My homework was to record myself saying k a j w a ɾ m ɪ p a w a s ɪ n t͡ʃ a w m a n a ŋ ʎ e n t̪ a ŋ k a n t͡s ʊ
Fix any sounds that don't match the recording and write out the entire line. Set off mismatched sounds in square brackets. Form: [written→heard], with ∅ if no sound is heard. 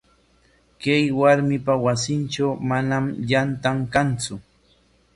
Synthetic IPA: k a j w a ɾ m ɪ p a w a s ɪ n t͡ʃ a w m a n a [ŋ→m] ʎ [e→a] n t̪ a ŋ k a n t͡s ʊ